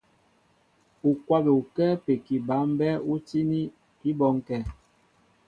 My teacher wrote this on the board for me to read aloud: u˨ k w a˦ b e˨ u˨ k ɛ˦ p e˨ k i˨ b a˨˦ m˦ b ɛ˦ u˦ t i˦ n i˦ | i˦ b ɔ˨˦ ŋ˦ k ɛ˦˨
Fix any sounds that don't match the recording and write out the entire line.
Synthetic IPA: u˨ k w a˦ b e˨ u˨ k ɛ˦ p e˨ k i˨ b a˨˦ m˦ b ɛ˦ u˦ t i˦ n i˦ | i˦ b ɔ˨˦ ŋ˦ k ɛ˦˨